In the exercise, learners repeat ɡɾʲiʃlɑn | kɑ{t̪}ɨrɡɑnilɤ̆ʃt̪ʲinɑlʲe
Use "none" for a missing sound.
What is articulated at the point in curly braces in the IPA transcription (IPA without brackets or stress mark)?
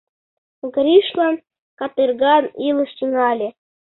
t̪